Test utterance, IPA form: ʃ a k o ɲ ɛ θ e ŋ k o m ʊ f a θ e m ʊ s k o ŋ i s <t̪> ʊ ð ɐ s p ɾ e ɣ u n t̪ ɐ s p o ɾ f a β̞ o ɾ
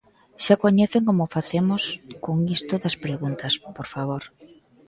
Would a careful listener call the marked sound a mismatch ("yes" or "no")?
no